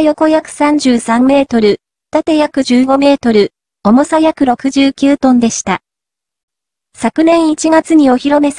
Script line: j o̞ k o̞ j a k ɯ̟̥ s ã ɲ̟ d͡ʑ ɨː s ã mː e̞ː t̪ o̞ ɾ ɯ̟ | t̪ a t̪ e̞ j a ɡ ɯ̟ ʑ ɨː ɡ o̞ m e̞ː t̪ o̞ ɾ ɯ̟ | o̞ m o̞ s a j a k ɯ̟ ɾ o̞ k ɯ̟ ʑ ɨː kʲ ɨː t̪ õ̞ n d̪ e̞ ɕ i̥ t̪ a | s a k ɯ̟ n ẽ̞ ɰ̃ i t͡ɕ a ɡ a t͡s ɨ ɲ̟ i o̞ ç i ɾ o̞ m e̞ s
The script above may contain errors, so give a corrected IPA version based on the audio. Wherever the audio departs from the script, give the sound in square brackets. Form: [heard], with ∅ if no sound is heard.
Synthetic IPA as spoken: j o̞ k o̞ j a k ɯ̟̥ s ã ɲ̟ d͡ʑ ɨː s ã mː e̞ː t̪ o̞ ɾ ɯ̟ | t̪ a t̪ e̞ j a [k] ɯ̟ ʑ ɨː ɡ o̞ m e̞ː t̪ o̞ ɾ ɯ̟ | o̞ m o̞ s a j a k ɯ̟ ɾ o̞ k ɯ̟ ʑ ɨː kʲ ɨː t̪ õ̞ n d̪ e̞ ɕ i̥ t̪ a | s a k ɯ̟ n ẽ̞ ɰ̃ i t͡ɕ [i] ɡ a t͡s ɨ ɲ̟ i o̞ ç i ɾ o̞ m e̞ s